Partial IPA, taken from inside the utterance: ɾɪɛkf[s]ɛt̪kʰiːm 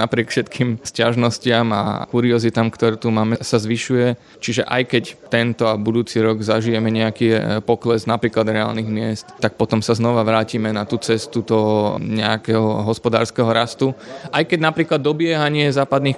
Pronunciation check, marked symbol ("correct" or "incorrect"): incorrect